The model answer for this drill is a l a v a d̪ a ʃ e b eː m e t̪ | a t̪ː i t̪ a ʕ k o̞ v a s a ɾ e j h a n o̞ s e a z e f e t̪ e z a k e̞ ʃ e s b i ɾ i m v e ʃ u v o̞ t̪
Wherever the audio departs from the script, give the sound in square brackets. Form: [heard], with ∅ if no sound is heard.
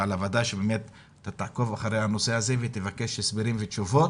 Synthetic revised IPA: a l a v a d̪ a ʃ e b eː m e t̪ | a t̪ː [a] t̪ a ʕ k o̞ v a [χ] a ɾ e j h a n o̞ s e a z e [v] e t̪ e [v] a k e̞ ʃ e s b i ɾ i m v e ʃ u v o̞ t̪